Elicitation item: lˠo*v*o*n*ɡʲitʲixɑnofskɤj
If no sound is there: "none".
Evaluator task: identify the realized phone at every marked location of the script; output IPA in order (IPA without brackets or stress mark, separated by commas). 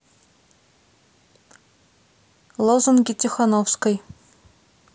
z, n